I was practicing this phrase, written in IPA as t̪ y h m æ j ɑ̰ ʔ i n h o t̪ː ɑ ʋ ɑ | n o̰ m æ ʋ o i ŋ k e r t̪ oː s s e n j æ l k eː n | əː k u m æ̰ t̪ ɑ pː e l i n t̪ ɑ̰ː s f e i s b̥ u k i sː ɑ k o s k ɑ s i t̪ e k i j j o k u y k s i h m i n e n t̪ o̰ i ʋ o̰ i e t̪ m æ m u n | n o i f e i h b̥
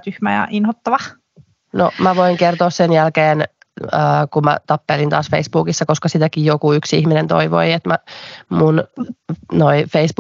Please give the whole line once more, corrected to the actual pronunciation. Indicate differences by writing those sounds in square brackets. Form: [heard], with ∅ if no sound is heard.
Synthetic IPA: t̪ y h m æ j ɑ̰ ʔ i n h o t̪ː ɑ ʋ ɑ | n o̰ m æ ʋ o i ŋ k e r t̪ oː s s e n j æ l k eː n | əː k u m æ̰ t̪ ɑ pː e l i n t̪ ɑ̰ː s f e i s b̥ [uː] k i sː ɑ k o s k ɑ s i t̪ [æ] k i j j o k u y k s i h m i n e n t̪ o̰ i ʋ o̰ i e t̪ m æ m u n | n o i f e i [s] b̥